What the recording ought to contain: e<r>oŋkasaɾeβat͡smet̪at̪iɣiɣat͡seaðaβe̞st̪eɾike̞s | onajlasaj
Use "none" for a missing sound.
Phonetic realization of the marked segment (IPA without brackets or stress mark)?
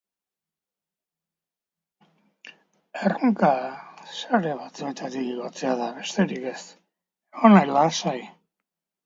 r